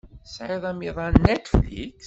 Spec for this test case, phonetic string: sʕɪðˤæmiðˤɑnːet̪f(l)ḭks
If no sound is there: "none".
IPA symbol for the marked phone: l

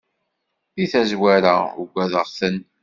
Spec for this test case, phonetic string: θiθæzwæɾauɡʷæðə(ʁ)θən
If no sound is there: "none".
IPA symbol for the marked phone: ʁ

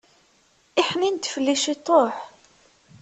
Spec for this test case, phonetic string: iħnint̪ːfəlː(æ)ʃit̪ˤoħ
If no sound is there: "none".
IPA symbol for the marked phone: i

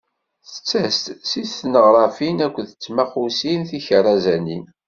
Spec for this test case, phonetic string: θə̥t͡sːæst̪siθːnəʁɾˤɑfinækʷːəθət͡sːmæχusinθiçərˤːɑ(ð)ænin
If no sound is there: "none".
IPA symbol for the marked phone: z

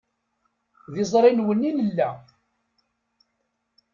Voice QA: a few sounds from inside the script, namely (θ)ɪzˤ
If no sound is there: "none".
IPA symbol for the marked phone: ð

